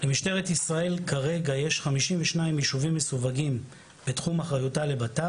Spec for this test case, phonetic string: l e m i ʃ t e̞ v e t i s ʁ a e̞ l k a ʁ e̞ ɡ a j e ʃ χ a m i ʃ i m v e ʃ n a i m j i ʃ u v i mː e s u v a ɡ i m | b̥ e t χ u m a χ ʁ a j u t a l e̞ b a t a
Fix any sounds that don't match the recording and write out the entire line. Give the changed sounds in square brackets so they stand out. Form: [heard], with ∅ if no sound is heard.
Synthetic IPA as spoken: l e m i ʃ t e̞ [ʁ] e t i s ʁ a e̞ l k a ʁ e̞ ɡ a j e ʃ χ a m i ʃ i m v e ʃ n a i m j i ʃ u v i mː e s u v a ɡ i m | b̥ e t χ u m a χ ʁ a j u t a l e̞ b a t a